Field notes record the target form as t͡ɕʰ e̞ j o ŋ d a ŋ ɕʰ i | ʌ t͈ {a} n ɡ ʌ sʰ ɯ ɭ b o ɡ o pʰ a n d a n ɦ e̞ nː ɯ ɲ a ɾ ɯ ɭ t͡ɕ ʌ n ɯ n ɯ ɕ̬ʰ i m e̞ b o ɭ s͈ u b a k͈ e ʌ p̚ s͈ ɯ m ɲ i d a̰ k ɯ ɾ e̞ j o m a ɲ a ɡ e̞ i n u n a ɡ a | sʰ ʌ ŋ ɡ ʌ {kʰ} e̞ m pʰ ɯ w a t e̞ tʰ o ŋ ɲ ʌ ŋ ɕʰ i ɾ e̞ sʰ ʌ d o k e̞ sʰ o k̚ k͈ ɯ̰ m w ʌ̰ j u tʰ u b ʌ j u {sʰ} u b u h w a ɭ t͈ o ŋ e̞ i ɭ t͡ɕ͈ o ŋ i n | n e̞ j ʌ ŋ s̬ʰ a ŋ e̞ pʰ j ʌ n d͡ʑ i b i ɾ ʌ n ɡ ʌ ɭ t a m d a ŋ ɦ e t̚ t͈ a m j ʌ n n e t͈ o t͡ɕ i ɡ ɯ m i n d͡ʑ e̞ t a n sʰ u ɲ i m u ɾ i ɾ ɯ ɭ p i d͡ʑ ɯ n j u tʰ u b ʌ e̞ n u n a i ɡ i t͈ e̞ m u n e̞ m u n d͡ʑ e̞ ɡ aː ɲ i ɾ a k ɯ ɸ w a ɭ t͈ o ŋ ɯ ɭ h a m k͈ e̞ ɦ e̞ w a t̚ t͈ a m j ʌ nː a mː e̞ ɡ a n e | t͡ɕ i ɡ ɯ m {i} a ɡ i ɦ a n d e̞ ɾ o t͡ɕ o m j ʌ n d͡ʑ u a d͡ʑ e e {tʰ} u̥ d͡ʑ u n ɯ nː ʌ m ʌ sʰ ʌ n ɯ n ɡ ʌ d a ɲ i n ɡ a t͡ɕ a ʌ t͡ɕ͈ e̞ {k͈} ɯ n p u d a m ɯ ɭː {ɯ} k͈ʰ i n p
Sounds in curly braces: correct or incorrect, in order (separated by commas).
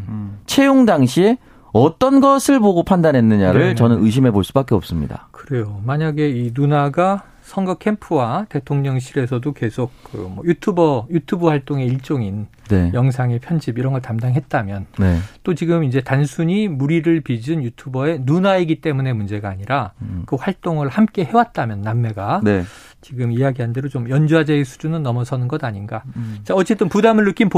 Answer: incorrect, correct, incorrect, correct, incorrect, incorrect, correct